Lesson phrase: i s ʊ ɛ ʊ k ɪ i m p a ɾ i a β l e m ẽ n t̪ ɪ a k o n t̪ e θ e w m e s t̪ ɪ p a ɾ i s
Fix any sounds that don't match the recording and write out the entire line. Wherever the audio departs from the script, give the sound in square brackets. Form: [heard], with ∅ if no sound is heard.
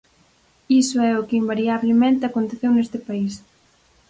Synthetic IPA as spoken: i s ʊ ɛ ʊ k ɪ i m [b] a ɾ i a β l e m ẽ n t̪ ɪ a k o n t̪ e θ e w [n] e s t̪ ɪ p a [∅] i s